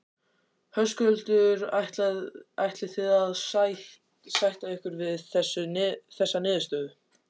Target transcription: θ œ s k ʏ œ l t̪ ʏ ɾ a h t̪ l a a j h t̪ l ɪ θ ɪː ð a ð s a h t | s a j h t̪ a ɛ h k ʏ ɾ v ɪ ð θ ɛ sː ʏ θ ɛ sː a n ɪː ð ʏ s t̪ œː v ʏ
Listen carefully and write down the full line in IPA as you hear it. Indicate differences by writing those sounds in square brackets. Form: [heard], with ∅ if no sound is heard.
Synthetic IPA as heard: [h] œ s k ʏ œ l t̪ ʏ ɾ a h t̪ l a a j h t̪ l ɪ θ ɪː ð a ð s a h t | s a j h t̪ a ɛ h k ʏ ɾ v ɪ ð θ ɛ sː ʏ θ ɛ sː a n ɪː ð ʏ s t̪ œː [ð] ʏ